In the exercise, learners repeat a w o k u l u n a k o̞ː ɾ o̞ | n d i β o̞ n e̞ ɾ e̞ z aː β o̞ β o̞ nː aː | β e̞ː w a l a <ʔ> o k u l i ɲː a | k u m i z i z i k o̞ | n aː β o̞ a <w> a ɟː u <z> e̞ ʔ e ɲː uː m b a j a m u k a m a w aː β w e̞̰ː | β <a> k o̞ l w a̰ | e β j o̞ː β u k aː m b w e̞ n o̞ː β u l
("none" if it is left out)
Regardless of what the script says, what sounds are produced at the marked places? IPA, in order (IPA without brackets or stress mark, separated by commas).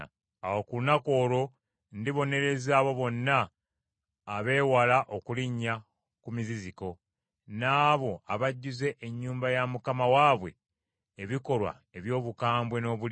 ʔ, β, z, i